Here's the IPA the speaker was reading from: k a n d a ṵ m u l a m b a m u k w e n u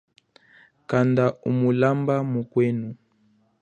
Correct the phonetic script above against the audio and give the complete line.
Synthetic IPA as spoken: k a n d a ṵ m u l a m b a m u k w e n u